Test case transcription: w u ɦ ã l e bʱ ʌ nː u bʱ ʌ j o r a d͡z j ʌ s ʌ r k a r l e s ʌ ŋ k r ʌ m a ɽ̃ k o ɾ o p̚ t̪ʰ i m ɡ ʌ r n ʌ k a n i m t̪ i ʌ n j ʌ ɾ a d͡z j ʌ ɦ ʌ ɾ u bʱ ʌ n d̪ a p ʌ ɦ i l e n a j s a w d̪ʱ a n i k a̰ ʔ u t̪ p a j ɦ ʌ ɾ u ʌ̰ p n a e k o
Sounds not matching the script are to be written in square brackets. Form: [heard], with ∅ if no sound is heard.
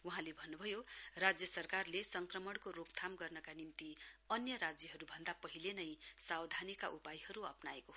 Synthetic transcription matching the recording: w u ɦ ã l e bʱ ʌ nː u bʱ ʌ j o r a d͡z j ʌ s ʌ r k a r l e s ʌ ŋ k r ʌ m [ʌ] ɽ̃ k o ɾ o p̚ t̪ʰ [a] m ɡ ʌ r n ʌ k a n i m t̪ i ʌ n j ʌ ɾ a d͡z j ʌ ɦ ʌ ɾ u bʱ ʌ n d̪ a p ʌ ɦ i l e n [ʌ] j s a w d̪ʱ a n i k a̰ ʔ u [∅] p a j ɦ ʌ ɾ u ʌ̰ p n a e k o